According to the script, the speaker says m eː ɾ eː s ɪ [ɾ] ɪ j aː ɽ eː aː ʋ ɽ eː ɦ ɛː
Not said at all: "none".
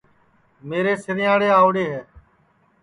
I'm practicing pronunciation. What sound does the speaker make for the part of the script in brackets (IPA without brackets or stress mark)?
ɾ